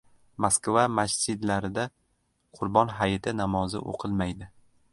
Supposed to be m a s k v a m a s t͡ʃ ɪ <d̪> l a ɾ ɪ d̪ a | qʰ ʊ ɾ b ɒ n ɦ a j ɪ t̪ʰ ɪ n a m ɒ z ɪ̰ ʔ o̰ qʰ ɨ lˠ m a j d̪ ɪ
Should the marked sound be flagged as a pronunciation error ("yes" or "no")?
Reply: no